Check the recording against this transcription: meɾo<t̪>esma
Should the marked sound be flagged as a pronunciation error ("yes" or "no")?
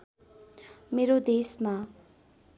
yes